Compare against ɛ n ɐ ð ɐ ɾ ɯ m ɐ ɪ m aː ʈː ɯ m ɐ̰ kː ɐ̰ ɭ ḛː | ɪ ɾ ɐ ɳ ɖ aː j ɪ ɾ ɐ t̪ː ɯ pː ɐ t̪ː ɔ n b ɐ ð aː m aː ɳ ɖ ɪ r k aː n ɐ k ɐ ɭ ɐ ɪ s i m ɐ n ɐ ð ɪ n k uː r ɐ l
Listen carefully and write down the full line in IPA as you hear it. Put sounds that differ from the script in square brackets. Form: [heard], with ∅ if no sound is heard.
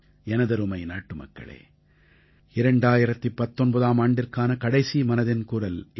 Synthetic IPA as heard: ɛ n ɐ ð ɐ ɾ ɯ m ɐ ɪ [n] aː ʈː ɯ m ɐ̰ kː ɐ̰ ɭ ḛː | ɪ ɾ ɐ ɳ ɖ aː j ɪ ɾ ɐ t̪ː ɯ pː ɐ t̪ː ɔ n b ɐ ð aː m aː ɳ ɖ ɪ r k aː n ɐ k ɐ [ɽ] ɐ ɪ s i m ɐ n ɐ ð ɪ n k uː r ɐ l